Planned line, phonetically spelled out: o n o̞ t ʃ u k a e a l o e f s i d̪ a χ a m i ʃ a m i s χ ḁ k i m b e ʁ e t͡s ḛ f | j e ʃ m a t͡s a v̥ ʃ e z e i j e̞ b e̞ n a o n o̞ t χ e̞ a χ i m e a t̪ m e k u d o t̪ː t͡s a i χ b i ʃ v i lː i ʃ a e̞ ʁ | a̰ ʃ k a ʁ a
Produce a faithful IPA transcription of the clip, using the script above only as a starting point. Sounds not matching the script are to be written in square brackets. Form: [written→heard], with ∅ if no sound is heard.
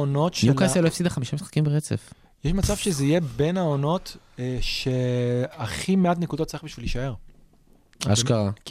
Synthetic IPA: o n o̞ t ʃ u k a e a l o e f s i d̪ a χ a m i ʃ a m i s χ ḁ k i m b e ʁ e t͡s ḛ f | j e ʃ m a t͡s a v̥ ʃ e z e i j e̞ b e̞ n a o n o̞ t [χ→ʃ] e̞ a χ i m e a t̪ [m→n] e k u d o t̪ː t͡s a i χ b i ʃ v i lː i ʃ a e̞ ʁ | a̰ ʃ k a ʁ a